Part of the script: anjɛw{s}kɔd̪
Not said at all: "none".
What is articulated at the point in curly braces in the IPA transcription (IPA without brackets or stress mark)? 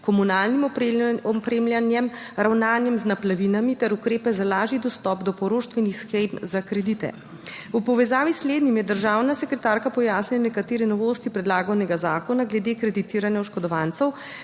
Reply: ʃ